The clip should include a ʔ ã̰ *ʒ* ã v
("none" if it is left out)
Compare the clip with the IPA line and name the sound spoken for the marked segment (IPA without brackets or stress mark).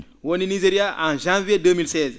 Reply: ʒ